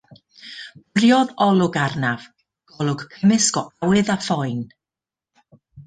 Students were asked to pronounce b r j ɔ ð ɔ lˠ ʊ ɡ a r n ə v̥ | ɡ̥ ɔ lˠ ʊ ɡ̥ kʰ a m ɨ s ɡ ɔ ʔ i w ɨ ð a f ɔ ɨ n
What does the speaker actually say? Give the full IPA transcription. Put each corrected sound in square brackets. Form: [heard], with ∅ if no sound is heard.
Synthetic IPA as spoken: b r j ɔ ð ɔ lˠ ʊ ɡ a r n [a] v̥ | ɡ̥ ɔ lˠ ʊ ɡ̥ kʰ [ə] m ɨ s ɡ ɔ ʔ [a] w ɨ ð a f ɔ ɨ n